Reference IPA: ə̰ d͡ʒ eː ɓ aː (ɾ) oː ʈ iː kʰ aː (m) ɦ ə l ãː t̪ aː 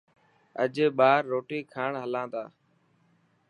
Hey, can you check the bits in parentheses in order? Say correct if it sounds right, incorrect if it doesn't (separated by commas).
incorrect, incorrect